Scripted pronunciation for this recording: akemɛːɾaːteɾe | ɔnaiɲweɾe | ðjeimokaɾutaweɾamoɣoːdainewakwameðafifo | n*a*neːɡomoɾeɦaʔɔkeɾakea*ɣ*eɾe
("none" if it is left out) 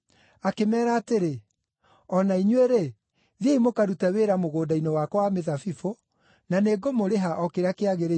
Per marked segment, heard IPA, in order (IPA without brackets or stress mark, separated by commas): a, ɣ